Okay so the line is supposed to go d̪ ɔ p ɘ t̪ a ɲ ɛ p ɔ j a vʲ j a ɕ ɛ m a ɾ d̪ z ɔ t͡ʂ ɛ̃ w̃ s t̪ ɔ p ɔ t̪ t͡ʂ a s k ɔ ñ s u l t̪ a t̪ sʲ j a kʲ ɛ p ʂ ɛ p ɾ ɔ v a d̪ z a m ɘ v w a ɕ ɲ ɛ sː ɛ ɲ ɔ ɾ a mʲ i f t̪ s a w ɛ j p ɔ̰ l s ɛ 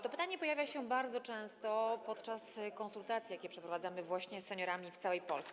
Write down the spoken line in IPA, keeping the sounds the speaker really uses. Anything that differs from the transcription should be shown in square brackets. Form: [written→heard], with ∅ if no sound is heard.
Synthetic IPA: [d̪→t̪] ɔ p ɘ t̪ a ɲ ɛ p ɔ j a vʲ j a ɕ ɛ [m→b] a ɾ d̪ z ɔ t͡ʂ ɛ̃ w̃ s t̪ ɔ p ɔ t̪ t͡ʂ a s k ɔ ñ s u l t̪ a t̪ sʲ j a kʲ ɛ p ʂ ɛ p ɾ ɔ v a d̪ z a m ɘ v w a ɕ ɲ ɛ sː ɛ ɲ ɔ ɾ a mʲ i f t̪ s a w ɛ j p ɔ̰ l s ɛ